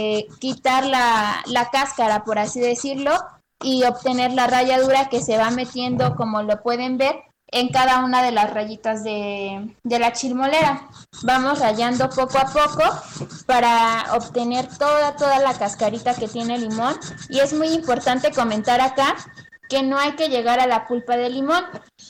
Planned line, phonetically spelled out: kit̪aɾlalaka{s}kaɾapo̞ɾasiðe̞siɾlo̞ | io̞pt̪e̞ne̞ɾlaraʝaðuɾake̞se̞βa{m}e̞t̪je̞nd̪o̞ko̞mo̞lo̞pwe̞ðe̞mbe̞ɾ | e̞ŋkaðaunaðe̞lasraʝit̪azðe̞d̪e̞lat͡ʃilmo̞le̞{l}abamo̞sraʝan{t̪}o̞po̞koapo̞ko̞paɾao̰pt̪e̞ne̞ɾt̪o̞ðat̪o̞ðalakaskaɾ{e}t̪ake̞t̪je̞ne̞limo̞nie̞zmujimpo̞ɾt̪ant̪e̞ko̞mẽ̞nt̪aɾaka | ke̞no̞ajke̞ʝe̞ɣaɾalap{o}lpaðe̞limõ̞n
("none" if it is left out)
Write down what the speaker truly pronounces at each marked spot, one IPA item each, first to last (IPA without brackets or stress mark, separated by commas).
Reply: s, m, ɾ, d̪, i, u